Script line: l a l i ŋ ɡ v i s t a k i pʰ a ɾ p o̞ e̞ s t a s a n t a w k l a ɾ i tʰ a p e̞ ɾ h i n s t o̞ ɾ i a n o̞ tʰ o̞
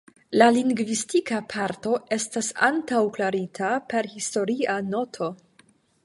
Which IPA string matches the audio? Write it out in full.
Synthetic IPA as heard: l a l i ŋ ɡ v i s t i k a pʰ a ɾ t o̞ e̞ s t a s a n t a w k l a ɾ i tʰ a p e̞ ɾ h i s t o̞ ɾ i a n o̞ tʰ o̞